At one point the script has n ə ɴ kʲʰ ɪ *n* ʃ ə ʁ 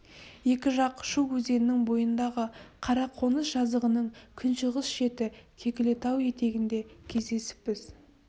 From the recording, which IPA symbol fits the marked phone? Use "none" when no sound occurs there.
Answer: n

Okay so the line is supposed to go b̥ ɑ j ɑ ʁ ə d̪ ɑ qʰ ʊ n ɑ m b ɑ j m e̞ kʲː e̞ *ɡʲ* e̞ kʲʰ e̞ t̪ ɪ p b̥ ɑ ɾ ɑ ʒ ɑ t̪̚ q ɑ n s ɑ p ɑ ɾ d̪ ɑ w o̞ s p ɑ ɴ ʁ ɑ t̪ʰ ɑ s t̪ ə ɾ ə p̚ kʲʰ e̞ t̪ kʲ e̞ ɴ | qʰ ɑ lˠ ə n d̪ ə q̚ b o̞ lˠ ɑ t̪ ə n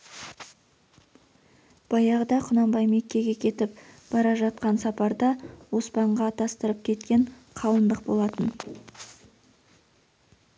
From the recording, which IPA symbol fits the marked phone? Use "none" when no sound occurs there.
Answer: ɡʲ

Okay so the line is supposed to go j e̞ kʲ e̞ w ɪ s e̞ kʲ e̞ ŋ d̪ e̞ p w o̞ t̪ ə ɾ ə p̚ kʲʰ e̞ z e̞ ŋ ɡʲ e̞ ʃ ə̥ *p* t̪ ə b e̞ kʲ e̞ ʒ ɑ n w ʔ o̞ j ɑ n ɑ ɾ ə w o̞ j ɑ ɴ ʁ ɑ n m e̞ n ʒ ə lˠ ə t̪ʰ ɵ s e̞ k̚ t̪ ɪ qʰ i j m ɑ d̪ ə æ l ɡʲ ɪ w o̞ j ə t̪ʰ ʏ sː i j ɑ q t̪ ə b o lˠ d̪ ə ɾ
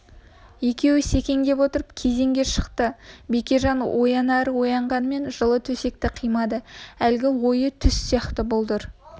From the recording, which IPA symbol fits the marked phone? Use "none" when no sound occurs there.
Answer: q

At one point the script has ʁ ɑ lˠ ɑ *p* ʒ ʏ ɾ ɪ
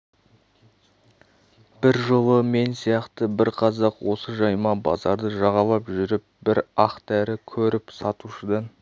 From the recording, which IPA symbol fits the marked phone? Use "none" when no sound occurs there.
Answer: p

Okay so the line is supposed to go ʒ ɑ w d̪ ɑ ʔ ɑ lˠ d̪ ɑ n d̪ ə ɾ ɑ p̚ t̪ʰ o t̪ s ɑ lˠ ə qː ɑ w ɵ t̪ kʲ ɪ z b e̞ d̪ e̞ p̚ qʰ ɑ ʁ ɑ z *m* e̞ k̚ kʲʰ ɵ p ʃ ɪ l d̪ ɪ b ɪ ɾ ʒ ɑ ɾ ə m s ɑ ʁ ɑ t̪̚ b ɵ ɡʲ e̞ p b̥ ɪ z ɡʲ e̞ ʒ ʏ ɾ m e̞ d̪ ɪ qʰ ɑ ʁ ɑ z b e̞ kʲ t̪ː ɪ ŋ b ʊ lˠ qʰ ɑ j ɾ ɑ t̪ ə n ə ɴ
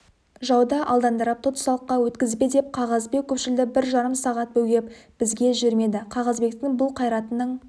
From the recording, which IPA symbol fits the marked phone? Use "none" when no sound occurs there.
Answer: b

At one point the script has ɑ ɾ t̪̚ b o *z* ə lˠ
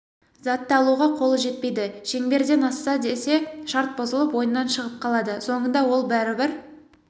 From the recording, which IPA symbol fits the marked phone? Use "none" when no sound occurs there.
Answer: z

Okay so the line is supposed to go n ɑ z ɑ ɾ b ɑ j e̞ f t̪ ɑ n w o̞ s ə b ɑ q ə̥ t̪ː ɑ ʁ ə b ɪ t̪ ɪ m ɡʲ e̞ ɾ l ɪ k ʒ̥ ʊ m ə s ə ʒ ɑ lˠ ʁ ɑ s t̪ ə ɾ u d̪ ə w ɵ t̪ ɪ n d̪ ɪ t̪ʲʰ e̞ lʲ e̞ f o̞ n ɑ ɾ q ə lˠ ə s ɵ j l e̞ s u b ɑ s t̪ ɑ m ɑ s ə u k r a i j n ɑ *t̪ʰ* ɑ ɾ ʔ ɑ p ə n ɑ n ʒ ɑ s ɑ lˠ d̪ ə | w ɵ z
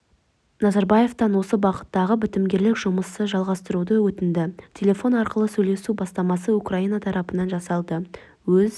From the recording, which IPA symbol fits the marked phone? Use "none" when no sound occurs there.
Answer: t̪ʰ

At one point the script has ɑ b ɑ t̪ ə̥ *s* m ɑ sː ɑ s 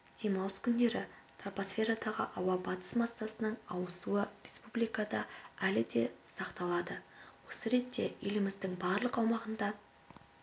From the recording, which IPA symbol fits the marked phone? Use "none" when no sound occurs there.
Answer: s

